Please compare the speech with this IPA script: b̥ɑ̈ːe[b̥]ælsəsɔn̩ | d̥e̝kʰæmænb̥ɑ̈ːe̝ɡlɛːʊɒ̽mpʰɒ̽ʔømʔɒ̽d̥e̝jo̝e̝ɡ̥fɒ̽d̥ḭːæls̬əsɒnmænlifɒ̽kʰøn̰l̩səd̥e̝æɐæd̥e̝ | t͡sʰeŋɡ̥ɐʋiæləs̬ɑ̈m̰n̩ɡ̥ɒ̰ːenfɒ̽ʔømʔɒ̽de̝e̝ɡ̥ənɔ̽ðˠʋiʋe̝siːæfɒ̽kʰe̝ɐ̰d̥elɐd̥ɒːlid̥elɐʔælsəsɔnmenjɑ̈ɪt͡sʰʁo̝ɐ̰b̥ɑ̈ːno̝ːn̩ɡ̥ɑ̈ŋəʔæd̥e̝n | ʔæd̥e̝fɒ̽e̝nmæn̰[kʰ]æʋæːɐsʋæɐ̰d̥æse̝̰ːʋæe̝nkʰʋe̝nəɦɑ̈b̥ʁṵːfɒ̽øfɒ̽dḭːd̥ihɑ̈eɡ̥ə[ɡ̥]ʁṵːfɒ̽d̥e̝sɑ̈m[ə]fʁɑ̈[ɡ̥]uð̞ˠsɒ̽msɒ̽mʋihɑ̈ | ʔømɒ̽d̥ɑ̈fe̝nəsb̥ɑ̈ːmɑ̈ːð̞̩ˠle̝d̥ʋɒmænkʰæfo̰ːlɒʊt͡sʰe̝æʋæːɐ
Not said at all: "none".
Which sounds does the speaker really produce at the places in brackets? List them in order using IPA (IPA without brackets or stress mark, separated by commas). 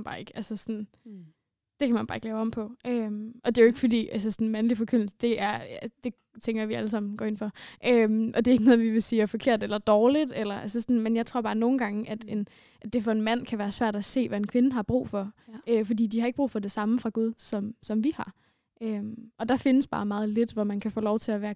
ɡ̥, kʰ, b̥, ə, ɡ̥